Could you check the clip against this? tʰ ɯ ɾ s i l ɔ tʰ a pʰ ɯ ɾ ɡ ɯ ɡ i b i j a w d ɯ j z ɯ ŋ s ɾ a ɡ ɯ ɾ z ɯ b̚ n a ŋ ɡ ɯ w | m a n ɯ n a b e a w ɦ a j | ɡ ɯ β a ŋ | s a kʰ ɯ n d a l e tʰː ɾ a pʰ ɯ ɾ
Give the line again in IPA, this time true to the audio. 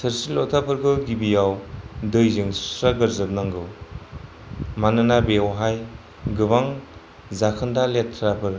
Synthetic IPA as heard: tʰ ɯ ɾ s i l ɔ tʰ a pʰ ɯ ɾ ɡ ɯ ɡ i b i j a w d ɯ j z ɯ ŋ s ɾ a ɡ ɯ ɾ z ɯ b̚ n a ŋ ɡ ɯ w | m a n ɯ n a b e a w ɦ a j | ɡ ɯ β a ŋ | z a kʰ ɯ n d a l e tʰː ɾ a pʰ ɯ ɾ

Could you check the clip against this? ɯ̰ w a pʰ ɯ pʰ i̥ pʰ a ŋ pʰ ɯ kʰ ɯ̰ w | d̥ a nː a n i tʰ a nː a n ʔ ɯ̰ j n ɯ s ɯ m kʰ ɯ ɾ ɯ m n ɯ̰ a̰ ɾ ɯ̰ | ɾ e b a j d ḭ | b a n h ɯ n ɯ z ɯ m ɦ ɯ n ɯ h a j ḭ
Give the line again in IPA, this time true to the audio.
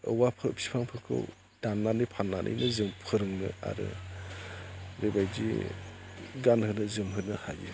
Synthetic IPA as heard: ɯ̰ w a pʰ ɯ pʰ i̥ pʰ a ŋ pʰ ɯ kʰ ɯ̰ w | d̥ a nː a n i pʰ a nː a n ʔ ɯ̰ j n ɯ z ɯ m pʰ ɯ ɾ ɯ ŋ n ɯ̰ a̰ ɾ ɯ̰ | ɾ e b a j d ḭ | ɡ a n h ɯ n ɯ z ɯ m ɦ ɯ n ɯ h a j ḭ

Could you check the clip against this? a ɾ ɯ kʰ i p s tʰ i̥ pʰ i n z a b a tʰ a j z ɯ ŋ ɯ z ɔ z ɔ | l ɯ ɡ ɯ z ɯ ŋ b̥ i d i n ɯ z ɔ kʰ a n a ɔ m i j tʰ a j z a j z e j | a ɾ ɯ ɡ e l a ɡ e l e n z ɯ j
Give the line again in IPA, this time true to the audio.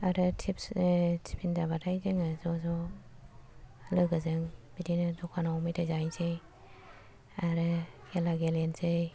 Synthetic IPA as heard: a ɾ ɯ tʰ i p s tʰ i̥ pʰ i n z a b a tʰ a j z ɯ ŋ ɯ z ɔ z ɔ | l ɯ ɡ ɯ z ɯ ŋ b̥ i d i n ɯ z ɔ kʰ a n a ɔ m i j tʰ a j z a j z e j | a ɾ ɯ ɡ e l a ɡ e l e n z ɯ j

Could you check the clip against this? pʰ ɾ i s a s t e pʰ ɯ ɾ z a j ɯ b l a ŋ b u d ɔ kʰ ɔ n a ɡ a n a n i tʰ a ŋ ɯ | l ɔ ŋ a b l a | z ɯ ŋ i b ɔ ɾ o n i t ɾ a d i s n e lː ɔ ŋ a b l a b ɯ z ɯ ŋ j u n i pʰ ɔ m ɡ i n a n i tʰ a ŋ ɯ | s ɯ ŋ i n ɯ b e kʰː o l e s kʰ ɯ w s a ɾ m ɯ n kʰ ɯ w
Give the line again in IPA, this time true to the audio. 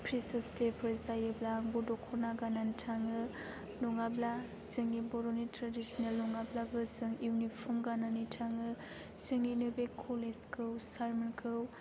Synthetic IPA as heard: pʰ ɾ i s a s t e pʰ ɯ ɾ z a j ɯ b l a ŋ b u d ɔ kʰ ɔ n a ɡ a n a n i tʰ a ŋ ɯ | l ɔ ŋ a b l a | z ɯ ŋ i b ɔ ɾ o n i t ɾ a d i s n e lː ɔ ŋ a b l a b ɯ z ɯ ŋ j u n i pʰ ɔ m ɡ a n a n i tʰ a ŋ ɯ | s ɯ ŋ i n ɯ b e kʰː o l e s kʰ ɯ w s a ɾ m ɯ n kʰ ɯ w

